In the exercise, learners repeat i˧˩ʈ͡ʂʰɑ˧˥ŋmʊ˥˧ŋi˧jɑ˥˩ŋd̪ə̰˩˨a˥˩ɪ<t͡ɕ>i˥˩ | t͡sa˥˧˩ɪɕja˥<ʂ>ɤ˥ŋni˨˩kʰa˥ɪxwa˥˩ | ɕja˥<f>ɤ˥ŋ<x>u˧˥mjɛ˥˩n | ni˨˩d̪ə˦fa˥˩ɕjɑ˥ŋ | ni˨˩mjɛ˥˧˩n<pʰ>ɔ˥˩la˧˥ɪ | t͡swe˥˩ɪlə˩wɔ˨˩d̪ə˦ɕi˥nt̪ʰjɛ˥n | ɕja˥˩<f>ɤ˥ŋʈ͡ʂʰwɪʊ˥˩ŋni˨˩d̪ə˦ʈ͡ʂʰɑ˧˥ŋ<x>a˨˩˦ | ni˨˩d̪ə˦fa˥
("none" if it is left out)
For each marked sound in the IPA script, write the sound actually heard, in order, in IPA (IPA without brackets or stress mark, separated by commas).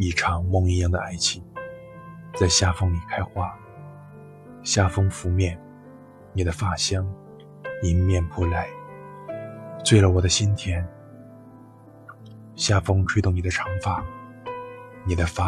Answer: t͡ɕʰ, f, f, f, pʰ, f, f